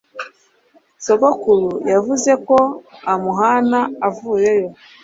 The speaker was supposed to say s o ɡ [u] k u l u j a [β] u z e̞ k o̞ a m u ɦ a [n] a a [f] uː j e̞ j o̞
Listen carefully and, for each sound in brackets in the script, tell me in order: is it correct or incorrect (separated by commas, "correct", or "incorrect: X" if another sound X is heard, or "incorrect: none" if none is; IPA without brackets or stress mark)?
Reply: incorrect: o, incorrect: v, correct, incorrect: v